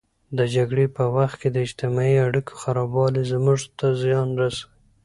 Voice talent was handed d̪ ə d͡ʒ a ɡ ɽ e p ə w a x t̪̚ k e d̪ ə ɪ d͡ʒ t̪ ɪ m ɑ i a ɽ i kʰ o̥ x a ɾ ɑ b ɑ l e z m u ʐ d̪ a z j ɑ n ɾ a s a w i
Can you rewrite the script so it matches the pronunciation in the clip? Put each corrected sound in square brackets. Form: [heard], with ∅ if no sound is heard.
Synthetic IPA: d̪ ə d͡ʒ a ɡ ɽ e p ə w a x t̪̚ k e d̪ ə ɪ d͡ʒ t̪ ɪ m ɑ i a ɽ i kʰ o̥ x a ɾ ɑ b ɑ l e z m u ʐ [t̪] a z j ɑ n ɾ a s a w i